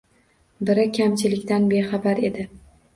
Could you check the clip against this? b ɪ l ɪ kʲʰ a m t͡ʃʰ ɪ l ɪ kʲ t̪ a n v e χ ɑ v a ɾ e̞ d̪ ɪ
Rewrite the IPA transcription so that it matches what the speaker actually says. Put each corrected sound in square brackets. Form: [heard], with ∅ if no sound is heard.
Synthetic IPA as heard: b ɪ [ɾ] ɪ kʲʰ a m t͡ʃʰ ɪ l ɪ kʲ t̪ a n [b] e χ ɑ [b] a ɾ e̞ d̪ ɪ